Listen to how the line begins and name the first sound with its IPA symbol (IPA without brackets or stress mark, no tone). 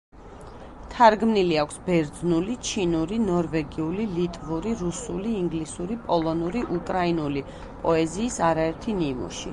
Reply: t̪ʰ